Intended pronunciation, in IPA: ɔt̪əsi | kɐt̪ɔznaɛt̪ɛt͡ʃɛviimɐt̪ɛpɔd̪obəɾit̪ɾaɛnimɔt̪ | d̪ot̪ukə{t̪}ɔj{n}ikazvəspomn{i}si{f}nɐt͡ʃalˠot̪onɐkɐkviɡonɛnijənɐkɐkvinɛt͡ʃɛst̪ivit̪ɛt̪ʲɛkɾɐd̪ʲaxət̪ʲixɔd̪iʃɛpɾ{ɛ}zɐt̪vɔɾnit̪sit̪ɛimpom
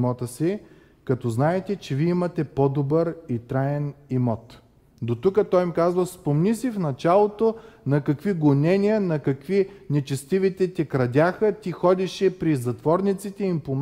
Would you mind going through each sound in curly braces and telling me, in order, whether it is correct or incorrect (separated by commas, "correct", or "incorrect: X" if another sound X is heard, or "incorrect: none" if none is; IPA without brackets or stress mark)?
correct, incorrect: m, correct, correct, incorrect: i